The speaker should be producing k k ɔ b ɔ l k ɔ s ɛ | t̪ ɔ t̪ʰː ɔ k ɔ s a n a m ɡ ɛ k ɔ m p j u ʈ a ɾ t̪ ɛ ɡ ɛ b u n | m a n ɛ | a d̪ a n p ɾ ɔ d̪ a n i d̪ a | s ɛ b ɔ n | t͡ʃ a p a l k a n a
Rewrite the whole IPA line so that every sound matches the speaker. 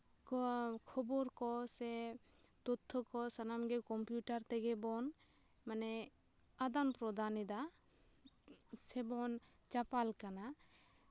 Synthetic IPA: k kʰ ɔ b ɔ ɾ k ɔ s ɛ | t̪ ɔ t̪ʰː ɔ k ɔ s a n a m ɡ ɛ k ɔ m p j u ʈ a ɾ t̪ ɛ ɡ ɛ b ɔ n | m a n ɛ | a d̪ a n p ɾ ɔ d̪ a n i d̪ a | s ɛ b ɔ n | t͡ʃ a p a l k a n a